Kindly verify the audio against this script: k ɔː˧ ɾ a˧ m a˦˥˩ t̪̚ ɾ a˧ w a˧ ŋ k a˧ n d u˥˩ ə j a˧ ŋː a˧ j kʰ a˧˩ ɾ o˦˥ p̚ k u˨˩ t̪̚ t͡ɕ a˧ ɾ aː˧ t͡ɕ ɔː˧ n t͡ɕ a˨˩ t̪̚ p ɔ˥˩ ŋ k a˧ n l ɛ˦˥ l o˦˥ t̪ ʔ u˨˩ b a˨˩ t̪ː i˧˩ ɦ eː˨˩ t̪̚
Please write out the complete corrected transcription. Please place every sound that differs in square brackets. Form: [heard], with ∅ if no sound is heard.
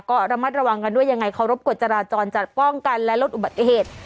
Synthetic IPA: k [ɔː˥˩] ɾ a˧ m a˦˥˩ t̪̚ ɾ a˧ w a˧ ŋ k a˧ n d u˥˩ ə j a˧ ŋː a˧ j kʰ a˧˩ ɾ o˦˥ p̚ k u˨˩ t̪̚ t͡ɕ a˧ ɾ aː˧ t͡ɕ ɔː˧ n t͡ɕ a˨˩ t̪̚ p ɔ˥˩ ŋ k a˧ n l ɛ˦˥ l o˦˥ t̪ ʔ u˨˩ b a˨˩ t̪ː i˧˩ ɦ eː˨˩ t̪̚